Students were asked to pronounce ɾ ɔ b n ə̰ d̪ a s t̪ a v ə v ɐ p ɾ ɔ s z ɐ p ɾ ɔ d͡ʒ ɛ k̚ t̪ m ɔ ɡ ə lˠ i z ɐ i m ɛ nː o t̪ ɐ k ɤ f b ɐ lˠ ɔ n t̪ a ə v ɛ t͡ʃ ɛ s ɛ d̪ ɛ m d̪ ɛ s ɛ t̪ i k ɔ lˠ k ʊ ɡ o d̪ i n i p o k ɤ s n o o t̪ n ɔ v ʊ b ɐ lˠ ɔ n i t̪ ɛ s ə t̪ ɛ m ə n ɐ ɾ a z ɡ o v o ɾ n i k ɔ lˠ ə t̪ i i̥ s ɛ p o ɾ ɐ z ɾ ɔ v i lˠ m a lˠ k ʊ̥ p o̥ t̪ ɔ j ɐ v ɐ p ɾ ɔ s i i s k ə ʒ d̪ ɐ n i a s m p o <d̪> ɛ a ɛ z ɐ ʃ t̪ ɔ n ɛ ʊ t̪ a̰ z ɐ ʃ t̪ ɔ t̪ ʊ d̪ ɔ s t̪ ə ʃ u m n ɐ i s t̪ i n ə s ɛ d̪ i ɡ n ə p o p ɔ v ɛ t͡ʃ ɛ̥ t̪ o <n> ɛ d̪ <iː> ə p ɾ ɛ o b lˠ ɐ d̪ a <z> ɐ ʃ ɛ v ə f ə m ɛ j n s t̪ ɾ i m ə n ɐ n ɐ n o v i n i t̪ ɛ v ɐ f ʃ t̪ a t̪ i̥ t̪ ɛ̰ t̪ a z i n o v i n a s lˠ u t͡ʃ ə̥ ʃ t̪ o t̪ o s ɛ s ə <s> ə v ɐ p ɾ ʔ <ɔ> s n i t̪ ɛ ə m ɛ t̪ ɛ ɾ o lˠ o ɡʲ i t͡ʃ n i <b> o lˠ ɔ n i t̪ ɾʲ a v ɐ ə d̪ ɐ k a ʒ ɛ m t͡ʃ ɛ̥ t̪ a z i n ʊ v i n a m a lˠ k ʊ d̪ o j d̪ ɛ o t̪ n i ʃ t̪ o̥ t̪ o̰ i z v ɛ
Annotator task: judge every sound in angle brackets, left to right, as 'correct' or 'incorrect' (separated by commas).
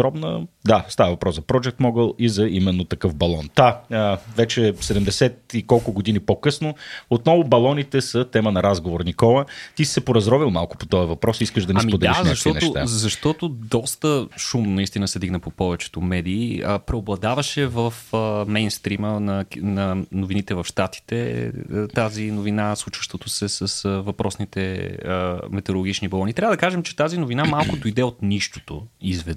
correct, incorrect, correct, incorrect, correct, correct, correct